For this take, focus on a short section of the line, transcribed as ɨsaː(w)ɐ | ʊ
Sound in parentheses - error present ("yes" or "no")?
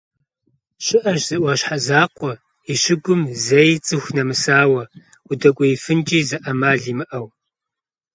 no